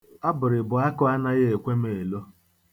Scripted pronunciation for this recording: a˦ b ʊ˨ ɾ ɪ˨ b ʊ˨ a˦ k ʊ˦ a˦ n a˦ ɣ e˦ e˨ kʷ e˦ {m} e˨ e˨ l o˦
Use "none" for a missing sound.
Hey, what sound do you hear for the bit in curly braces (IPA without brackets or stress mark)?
m